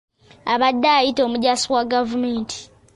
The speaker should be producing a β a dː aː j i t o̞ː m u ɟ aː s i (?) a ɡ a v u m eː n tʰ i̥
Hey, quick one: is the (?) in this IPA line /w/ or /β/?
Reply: w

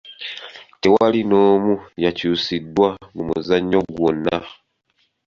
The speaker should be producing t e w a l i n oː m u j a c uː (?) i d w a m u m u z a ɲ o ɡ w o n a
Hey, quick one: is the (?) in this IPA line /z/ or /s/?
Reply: s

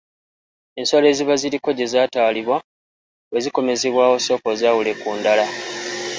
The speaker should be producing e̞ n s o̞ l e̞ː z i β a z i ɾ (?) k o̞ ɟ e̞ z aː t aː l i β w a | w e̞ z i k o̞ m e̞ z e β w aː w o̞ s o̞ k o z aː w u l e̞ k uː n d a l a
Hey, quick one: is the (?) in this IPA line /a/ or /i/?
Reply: i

